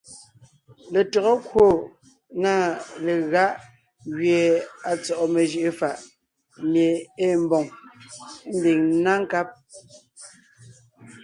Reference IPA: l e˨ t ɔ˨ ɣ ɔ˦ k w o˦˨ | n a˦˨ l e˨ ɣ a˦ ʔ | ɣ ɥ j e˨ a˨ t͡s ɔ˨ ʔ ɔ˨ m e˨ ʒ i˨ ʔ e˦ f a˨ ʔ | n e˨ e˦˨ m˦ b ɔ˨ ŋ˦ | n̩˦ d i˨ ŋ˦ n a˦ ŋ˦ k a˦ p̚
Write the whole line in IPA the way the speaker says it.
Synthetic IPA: l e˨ t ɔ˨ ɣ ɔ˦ k w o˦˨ | n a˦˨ l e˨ ɣ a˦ ʔ | ɣ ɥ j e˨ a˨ t͡s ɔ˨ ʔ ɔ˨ m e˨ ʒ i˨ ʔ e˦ f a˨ ʔ | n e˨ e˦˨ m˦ b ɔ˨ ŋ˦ | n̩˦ d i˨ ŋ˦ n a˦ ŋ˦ k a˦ p̚